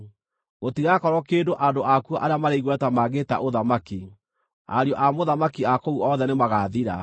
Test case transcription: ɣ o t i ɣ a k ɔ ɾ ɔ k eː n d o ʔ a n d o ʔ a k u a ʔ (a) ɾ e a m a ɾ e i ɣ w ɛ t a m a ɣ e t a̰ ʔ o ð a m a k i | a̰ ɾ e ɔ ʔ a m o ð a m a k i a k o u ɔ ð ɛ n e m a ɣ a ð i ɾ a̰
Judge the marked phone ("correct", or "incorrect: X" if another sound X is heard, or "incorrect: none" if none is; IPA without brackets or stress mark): correct